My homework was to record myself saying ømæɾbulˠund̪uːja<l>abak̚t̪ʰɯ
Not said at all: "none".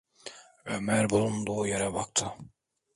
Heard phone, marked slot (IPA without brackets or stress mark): ɾ